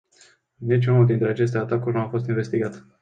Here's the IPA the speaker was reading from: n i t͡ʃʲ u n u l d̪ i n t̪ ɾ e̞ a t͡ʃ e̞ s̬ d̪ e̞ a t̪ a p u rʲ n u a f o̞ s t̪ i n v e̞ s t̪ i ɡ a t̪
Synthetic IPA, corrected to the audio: n i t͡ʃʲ u n u l d̪ i n t̪ ɾ e̞ a t͡ʃ e̞ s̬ t̪ e̞ a t̪ a k u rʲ n u a f o̞ s t̪ i n v e̞ s t̪ i ɡ a t̪